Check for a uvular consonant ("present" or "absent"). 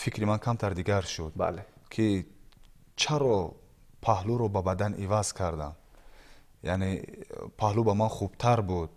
present